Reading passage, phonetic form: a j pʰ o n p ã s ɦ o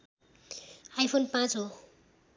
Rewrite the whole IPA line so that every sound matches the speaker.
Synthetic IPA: a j pʰ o n p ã t͡s ɦ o